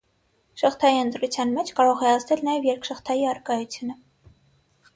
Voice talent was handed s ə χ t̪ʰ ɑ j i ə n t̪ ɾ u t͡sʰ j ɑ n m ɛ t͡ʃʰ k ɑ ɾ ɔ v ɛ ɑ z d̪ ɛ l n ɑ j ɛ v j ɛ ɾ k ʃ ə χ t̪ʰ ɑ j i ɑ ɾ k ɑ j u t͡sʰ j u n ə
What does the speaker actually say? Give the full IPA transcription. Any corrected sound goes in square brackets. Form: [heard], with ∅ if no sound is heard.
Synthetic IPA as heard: [ʃ] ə χ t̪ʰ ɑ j i ə n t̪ ɾ u t͡sʰ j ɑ n m ɛ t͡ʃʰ k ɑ ɾ ɔ [ʁ] ɛ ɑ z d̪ ɛ l n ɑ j ɛ v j ɛ ɾ k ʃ ə χ t̪ʰ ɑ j i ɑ ɾ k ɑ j u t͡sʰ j u n ə